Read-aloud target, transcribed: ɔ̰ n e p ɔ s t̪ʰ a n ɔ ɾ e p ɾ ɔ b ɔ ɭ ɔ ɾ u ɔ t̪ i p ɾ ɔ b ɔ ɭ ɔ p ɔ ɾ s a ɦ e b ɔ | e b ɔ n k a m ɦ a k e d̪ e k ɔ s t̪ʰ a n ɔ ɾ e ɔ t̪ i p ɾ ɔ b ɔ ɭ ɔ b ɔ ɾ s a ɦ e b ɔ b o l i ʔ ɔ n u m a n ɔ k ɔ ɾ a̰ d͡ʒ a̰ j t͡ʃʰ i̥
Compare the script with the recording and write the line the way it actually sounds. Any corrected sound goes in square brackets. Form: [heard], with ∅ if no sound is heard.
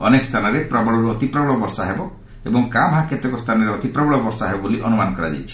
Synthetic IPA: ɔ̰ n e [k] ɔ s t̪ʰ a n ɔ ɾ e p ɾ ɔ b ɔ ɭ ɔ ɾ u ɔ t̪ i p ɾ ɔ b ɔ ɭ ɔ [b] ɔ ɾ s a ɦ e b ɔ | e b ɔ [ŋ] k a m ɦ a k e [t̪] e k ɔ s t̪ʰ a n ɔ ɾ e ɔ t̪ i p ɾ ɔ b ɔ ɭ ɔ b ɔ ɾ s a ɦ e b ɔ b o l i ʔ ɔ n u m a n ɔ k ɔ ɾ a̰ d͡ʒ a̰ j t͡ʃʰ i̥

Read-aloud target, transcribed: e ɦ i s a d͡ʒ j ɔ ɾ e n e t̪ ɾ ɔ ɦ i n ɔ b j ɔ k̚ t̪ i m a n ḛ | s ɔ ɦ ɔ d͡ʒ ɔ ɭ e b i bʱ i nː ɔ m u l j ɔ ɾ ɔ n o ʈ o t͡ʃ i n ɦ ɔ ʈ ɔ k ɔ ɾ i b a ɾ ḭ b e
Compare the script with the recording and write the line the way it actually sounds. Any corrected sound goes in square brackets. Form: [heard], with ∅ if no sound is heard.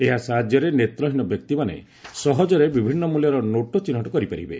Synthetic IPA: e ɦ [a] s a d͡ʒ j ɔ ɾ e n e t̪ ɾ ɔ ɦ i n ɔ b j ɔ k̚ t̪ i m a n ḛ | s ɔ ɦ ɔ d͡ʒ ɔ [ɾ] e b i bʱ i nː ɔ m u l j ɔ ɾ ɔ n o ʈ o t͡ʃ i n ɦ ɔ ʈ ɔ k ɔ ɾ i [p] a ɾ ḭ b e

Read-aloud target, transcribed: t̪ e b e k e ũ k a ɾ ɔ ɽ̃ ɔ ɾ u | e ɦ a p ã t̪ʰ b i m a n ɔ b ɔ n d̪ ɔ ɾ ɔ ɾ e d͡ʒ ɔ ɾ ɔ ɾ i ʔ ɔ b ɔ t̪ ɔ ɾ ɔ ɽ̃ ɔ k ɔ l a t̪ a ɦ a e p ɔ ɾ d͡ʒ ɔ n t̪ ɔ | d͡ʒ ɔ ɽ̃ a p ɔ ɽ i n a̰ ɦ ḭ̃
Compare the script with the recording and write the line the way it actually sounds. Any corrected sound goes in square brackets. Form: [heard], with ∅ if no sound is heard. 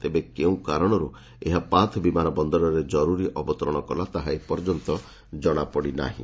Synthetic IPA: t̪ e b e k e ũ k a ɾ ɔ ɽ̃ ɔ ɾ u | e ɦ a p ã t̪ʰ b i m a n ɔ b ɔ n d̪ ɔ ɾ ɔ ɾ e d͡ʒ ɔ ɾ [u] ɾ i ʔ ɔ b ɔ t̪ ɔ ɾ ɔ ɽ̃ ɔ k ɔ l a t̪ a ɦ a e p ɔ ɾ d͡ʒ ɔ n t̪ ɔ | d͡ʒ ɔ ɽ̃ a p ɔ ɽ i n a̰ ɦ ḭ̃

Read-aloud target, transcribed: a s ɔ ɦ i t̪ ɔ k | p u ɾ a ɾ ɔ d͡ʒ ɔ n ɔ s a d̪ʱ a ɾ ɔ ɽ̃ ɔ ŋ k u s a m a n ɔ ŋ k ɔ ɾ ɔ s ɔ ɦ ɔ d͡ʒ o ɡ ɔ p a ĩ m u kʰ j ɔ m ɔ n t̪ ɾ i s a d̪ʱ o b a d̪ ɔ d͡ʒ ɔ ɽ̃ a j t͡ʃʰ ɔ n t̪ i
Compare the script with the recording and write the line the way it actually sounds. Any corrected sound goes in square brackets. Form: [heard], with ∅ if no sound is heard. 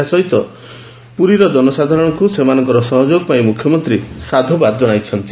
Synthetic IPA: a s ɔ ɦ i t̪ ɔ [∅] | p u ɾ [i] ɾ ɔ d͡ʒ ɔ n ɔ s a d̪ʱ a ɾ ɔ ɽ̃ ɔ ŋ k u s [e] m a n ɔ ŋ k ɔ ɾ ɔ s ɔ ɦ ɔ d͡ʒ o ɡ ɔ p a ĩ m u kʰ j ɔ m ɔ n t̪ ɾ i s a d̪ʱ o b a d̪ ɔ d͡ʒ ɔ ɽ̃ a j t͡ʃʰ ɔ n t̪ i

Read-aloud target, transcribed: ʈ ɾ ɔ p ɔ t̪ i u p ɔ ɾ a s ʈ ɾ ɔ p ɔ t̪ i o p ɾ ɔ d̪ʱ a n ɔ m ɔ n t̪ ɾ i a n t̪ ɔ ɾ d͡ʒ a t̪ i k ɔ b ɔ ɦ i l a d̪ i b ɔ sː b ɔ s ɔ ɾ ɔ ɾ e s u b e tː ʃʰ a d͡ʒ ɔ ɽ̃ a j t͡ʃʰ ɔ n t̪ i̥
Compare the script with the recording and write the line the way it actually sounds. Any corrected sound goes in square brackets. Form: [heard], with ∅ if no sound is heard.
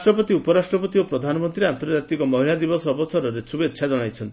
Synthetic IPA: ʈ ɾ ɔ p ɔ t̪ i u p ɔ ɾ a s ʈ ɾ ɔ p ɔ t̪ i o p ɾ ɔ d̪ʱ a n ɔ m ɔ n t̪ ɾ i a n t̪ ɔ ɾ d͡ʒ a t̪ i k ɔ [m] ɔ ɦ i l a d̪ i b ɔ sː b ɔ s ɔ ɾ ɔ ɾ e s u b e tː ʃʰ a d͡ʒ ɔ ɽ̃ a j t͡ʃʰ ɔ n t̪ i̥

